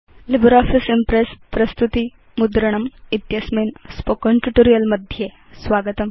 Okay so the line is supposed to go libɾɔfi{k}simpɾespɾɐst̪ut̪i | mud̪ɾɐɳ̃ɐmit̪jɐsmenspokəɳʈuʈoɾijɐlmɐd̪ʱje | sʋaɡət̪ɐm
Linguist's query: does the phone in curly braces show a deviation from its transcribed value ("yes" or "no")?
yes